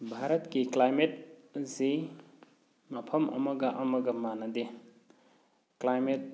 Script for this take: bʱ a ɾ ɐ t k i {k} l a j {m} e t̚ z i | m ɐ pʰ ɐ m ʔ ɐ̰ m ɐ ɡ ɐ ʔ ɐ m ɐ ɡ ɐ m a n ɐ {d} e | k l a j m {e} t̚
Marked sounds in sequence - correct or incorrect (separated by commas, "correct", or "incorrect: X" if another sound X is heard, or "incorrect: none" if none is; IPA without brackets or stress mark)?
correct, correct, correct, correct